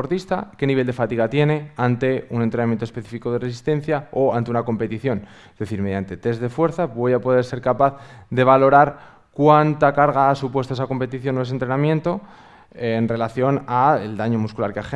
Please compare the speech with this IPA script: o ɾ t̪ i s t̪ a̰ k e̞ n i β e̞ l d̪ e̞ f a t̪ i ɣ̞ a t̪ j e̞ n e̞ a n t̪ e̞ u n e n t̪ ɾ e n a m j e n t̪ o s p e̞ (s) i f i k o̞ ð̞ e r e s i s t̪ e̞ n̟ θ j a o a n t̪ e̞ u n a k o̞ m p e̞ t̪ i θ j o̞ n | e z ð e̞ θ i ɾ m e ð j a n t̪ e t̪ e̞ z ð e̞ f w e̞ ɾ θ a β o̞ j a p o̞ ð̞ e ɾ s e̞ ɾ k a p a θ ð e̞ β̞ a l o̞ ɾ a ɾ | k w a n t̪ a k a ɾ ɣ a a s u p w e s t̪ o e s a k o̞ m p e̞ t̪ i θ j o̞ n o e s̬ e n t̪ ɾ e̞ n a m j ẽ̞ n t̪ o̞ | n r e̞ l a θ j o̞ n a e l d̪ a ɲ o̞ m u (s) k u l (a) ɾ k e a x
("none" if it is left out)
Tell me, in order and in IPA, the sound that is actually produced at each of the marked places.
θ, s, a

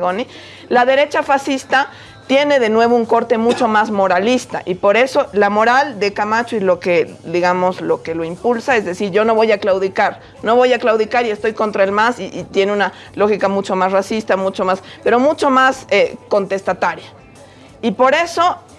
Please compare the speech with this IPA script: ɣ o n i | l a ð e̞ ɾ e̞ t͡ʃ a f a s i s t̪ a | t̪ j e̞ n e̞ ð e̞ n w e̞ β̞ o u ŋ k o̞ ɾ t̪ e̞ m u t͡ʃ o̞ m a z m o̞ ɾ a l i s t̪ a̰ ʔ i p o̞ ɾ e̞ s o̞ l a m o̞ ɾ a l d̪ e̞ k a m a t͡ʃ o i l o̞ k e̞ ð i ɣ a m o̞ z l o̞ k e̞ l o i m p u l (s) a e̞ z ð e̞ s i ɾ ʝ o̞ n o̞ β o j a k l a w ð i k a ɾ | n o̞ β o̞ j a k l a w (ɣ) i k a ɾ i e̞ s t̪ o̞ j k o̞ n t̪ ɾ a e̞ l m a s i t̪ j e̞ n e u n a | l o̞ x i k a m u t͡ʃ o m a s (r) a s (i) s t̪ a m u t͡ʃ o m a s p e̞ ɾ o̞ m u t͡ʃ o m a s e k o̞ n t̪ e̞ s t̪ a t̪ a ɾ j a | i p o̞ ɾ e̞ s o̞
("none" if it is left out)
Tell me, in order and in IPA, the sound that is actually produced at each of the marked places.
s, ð, r, i

